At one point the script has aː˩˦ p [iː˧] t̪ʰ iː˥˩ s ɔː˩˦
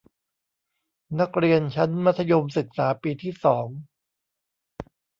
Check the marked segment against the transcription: correct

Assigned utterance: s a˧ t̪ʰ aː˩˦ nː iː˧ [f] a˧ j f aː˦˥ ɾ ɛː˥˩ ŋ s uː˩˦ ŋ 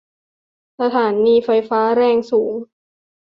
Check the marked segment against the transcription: correct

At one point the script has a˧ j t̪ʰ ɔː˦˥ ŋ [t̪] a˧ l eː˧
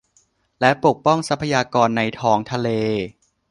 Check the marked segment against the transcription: incorrect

